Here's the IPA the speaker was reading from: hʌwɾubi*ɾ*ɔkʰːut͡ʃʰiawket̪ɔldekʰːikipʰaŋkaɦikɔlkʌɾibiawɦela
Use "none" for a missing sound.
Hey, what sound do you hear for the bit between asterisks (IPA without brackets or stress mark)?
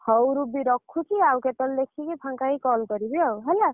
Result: ɾ